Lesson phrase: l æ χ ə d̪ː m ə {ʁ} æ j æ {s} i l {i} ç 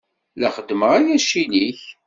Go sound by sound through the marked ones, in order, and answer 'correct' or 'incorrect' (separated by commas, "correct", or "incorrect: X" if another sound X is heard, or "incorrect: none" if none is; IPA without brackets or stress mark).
correct, incorrect: ʃ, correct